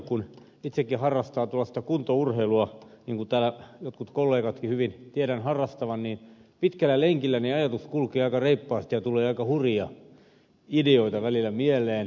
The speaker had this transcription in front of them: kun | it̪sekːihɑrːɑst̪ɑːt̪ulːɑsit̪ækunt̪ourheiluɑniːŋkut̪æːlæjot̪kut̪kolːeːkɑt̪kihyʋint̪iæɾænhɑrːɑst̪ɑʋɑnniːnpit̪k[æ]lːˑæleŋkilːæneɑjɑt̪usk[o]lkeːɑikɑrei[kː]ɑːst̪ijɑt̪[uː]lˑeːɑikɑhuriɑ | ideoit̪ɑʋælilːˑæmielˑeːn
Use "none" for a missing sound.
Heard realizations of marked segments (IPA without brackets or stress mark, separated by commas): æ, u, pː, u